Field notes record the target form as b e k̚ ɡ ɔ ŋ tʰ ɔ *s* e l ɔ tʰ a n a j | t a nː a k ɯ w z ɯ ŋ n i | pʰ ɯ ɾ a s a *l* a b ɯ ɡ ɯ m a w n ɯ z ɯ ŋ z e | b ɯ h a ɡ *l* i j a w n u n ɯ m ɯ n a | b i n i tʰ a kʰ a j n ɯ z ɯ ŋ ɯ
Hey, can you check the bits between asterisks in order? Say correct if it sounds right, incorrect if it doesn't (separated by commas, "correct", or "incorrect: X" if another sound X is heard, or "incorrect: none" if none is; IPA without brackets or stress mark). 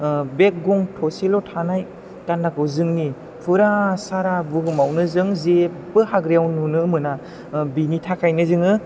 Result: correct, incorrect: ɾ, incorrect: ɾ